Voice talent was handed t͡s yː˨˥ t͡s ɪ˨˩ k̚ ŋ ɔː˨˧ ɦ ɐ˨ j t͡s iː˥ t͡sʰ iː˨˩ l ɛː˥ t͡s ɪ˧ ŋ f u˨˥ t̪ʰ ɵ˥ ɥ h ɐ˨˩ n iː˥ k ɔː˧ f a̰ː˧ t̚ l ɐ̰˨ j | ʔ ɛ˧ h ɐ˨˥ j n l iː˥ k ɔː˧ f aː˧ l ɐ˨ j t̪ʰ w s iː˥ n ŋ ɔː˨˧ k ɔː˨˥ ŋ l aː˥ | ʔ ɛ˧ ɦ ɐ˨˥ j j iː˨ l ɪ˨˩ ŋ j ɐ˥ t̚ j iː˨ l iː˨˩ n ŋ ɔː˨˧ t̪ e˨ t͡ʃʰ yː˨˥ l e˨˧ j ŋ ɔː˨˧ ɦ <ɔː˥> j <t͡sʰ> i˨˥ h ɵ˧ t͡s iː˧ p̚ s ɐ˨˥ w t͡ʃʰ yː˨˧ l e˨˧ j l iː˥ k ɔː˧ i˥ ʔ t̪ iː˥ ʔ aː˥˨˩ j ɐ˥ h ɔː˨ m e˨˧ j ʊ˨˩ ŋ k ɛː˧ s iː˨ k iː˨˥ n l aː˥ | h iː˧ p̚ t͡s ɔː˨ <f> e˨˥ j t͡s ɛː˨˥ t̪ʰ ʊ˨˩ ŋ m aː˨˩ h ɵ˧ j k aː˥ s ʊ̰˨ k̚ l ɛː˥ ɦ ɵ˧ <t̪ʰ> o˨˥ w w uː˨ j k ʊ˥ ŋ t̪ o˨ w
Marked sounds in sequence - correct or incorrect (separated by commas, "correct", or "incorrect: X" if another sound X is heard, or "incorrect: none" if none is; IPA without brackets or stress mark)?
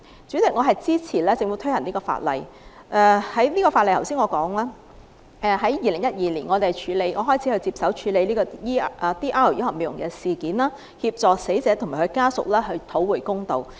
correct, correct, incorrect: s, correct